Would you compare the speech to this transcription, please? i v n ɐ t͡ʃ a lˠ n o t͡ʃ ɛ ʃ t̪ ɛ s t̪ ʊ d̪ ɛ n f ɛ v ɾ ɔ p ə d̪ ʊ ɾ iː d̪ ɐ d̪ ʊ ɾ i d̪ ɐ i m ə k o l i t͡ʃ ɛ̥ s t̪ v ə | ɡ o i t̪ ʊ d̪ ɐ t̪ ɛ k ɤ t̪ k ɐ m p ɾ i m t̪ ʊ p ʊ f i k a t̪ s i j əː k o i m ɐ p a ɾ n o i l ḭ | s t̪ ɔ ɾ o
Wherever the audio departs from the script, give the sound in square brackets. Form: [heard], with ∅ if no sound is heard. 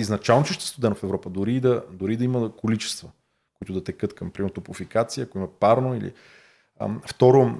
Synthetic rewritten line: i [z] n ɐ t͡ʃ a lˠ n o t͡ʃ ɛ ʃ t̪ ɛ s t̪ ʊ d̪ ɛ n f ɛ v ɾ ɔ p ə d̪ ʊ ɾ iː d̪ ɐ d̪ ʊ ɾ i d̪ ɐ i m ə k o l i t͡ʃ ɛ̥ s t̪ v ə | [k] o i t̪ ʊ d̪ ɐ t̪ ɛ k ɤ t̪ k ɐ m p ɾ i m t̪ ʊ p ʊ f i k a t̪ s i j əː k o i m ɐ p a ɾ n o i l ḭ | [f] t̪ ɔ ɾ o